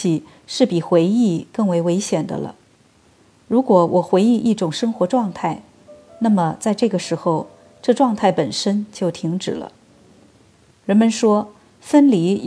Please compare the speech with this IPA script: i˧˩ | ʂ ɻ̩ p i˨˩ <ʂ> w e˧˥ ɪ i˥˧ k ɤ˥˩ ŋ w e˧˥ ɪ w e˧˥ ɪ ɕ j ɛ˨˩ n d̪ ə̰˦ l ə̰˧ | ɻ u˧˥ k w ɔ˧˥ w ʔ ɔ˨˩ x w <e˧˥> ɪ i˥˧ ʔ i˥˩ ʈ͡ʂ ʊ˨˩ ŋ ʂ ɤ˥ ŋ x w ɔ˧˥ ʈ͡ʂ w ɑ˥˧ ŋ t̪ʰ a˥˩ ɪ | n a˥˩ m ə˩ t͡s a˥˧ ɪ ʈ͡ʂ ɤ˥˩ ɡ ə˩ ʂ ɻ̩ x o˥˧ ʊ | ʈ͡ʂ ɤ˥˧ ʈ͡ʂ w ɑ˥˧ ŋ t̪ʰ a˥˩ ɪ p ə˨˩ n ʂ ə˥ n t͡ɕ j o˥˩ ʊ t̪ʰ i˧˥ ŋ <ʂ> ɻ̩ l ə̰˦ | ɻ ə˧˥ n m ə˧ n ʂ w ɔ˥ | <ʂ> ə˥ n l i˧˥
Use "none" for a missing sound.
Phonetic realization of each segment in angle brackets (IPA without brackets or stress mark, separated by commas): x, e˧˥, ʈ͡ʂ, f